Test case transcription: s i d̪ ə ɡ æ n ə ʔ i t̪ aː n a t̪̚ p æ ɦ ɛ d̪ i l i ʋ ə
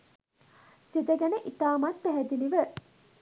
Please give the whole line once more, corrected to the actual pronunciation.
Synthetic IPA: s i d̪ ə ɡ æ n ə ʔ i t̪ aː m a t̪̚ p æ ɦ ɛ d̪ i l i ʋ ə